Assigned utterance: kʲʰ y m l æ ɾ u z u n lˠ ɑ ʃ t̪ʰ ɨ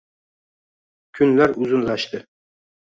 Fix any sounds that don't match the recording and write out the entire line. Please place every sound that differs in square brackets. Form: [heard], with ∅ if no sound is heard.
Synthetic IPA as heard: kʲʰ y [n] l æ ɾ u z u n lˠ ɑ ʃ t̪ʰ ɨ